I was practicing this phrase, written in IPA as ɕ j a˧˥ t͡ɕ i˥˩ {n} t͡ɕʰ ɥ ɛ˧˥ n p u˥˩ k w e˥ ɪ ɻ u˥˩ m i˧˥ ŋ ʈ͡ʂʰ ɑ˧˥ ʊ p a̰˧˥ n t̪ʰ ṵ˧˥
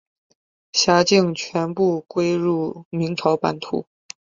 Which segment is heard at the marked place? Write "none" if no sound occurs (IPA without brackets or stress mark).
ŋ